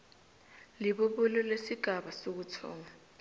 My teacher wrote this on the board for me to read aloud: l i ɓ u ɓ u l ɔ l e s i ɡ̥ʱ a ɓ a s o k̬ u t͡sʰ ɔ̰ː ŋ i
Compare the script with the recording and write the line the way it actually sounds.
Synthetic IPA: l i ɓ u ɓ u l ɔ l e s i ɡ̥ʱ a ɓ a s o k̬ u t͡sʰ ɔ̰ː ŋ a